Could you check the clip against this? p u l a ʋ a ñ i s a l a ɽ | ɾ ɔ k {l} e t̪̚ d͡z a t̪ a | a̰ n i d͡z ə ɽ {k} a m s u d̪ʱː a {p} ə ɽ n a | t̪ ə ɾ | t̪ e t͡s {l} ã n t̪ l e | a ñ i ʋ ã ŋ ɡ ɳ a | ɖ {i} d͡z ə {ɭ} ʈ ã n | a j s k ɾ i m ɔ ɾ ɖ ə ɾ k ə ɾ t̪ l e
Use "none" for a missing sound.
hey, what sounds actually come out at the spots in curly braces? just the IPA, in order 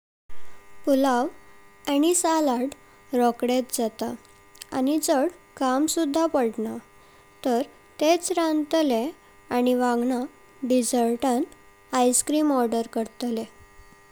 ɽ, k, p, ɾ, i, ɾ

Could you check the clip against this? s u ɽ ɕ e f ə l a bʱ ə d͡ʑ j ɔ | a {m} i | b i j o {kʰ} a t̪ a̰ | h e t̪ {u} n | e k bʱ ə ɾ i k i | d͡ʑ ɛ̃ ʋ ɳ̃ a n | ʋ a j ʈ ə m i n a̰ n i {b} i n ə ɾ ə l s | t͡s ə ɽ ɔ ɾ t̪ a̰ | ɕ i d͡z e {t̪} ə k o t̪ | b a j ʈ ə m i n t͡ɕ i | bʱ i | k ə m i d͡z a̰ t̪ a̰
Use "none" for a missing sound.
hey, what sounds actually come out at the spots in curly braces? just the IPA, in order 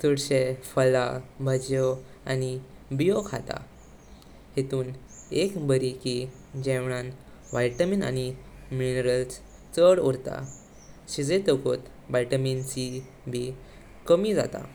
n, kʰ, uː, m, t̪

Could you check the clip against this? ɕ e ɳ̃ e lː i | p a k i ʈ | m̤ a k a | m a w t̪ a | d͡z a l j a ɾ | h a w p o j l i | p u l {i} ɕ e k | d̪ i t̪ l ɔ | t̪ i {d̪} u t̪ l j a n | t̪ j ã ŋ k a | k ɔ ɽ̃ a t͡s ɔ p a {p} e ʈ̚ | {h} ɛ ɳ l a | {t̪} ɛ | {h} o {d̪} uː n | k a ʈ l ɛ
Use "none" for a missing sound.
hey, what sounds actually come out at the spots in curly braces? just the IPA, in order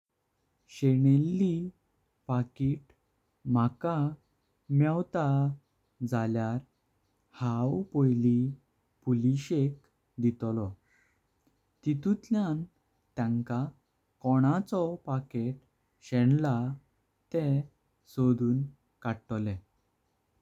i, t̪, k, ɕ, t̪, s, d̪

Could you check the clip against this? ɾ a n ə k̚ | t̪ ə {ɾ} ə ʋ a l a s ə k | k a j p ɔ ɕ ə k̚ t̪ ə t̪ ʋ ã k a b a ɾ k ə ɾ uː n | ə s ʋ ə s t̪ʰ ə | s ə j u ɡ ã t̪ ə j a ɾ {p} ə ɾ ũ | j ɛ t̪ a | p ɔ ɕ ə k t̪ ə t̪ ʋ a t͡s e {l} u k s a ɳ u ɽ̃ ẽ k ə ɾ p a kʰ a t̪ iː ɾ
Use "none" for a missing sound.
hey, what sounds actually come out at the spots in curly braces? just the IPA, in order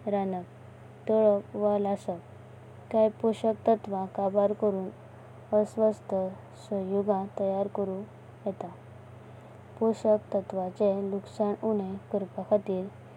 ɭ, k, l

